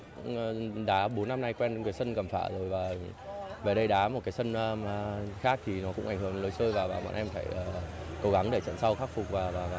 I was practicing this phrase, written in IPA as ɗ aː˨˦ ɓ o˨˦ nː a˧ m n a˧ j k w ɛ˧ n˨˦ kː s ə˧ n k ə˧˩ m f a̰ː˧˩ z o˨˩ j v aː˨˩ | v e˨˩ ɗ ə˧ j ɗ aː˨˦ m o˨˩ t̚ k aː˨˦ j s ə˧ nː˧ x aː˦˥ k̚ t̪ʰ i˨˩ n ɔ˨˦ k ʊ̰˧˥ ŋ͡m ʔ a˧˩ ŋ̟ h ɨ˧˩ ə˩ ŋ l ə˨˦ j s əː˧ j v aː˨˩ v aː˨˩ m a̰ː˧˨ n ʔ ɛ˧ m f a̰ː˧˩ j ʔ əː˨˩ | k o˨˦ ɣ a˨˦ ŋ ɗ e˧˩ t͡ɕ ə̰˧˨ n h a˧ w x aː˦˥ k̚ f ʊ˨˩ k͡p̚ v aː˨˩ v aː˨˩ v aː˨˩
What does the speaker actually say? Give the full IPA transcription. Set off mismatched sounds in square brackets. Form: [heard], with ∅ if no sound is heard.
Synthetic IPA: ɗ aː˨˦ ɓ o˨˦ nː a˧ m n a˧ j k w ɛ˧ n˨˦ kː s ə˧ n k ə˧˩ m f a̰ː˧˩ z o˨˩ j v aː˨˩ | v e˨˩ ɗ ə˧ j ɗ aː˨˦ m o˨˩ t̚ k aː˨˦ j s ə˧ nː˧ x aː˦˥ k̚ t̪ʰ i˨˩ n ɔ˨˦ k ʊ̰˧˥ ŋ͡m ʔ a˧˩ ŋ̟ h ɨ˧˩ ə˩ ŋ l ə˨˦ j s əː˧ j v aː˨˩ v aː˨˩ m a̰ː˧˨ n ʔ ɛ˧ m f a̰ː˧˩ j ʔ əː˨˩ | k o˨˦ ɣ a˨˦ ŋ ɗ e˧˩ t͡ɕ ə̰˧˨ n [s] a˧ w x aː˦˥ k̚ f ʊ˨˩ k͡p̚ v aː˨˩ v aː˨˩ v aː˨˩